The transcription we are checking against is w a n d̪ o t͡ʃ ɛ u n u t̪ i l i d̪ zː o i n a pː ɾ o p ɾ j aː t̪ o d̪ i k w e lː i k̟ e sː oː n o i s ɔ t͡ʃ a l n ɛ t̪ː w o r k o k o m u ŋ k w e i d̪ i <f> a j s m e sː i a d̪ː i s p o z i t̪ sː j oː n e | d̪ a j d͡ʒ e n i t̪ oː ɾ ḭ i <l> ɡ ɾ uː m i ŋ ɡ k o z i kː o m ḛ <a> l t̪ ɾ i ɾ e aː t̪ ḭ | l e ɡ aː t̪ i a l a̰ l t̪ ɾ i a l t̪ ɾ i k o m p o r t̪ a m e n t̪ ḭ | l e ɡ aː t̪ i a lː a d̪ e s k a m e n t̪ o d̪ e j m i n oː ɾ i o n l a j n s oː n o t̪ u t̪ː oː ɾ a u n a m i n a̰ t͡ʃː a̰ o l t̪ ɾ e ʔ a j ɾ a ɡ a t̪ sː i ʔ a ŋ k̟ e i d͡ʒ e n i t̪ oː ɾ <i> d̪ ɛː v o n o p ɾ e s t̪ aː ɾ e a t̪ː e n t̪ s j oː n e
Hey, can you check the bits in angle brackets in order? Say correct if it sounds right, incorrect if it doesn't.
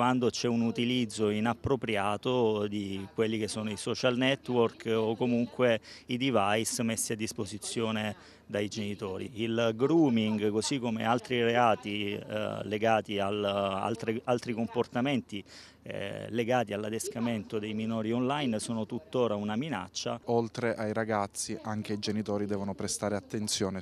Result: incorrect: v, correct, correct, correct

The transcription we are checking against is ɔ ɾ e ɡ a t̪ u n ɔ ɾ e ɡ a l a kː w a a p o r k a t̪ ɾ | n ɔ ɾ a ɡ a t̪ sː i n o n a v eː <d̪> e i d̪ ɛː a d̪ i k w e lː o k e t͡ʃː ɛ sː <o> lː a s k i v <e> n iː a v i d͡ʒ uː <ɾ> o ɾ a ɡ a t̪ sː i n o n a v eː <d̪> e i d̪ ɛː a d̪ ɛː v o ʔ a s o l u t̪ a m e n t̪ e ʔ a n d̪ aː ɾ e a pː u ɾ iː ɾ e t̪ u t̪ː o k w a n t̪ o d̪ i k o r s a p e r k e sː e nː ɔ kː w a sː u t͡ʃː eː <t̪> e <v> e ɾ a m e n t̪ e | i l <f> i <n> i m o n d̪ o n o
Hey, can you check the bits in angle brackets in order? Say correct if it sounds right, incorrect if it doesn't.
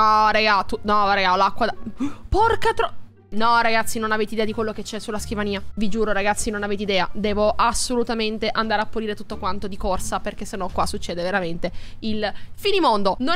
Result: incorrect: t̪, incorrect: u, incorrect: a, correct, incorrect: t̪, incorrect: d̪, correct, correct, correct

